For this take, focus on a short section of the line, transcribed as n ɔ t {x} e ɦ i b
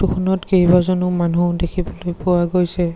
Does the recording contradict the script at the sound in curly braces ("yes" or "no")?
yes